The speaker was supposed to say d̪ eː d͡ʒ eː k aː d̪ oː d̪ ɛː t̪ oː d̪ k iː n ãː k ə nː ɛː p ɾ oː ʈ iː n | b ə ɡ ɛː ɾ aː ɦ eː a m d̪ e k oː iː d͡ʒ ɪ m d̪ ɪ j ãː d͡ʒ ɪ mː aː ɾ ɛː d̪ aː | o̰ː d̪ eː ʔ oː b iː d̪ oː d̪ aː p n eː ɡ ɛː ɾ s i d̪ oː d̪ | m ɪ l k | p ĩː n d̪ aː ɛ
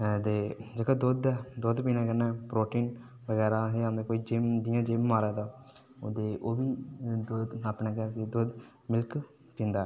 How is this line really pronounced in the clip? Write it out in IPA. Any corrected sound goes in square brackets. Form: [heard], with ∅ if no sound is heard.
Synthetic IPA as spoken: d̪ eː d͡ʒ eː k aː d̪ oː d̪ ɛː [d̪] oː d̪ [p] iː n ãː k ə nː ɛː p ɾ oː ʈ iː n | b ə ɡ ɛː ɾ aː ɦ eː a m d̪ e k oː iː d͡ʒ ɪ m d̪ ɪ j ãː d͡ʒ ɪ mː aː ɾ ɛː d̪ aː | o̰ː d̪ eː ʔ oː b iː d̪ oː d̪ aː p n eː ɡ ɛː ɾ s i d̪ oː d̪ | m ɪ l k | p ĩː n d̪ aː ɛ